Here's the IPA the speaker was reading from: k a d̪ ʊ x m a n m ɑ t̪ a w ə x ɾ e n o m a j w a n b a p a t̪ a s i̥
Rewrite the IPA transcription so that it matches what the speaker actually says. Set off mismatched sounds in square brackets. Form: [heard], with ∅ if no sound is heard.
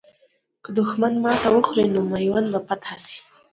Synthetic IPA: k [ə] d̪ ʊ x m a n m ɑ t̪ a w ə x ɾ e n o m a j w a n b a p a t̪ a s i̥